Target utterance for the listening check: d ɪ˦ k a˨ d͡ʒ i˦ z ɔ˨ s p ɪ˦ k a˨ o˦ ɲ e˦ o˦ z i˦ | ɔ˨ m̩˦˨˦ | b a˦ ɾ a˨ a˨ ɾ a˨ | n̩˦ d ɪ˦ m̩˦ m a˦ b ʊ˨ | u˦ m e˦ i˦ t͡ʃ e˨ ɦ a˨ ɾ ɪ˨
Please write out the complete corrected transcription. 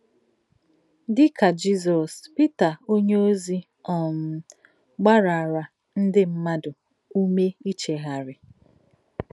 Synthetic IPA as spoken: d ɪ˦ k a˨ d͡ʒ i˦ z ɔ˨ s p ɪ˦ t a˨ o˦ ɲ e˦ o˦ z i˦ | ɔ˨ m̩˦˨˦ | ɡ͡b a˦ ɾ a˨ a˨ ɾ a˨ | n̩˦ d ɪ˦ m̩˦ m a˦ d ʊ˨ | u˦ m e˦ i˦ t͡ʃ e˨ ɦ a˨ ɾ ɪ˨

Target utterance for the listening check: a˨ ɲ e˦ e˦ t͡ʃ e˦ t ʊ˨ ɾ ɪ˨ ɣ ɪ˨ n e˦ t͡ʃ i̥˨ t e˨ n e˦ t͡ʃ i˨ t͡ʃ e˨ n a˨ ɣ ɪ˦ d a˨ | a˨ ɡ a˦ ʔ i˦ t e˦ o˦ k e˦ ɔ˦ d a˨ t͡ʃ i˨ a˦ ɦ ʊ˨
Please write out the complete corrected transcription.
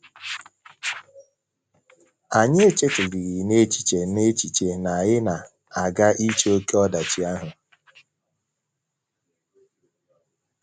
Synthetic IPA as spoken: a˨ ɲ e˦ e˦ t͡ʃ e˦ t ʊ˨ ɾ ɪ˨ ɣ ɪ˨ n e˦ t͡ʃ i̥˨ t͡ʃ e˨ n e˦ t͡ʃ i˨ t͡ʃ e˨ n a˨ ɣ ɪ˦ n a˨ | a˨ ɡ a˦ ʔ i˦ t͡ʃ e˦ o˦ k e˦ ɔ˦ d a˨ t͡ʃ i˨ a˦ ɦ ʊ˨

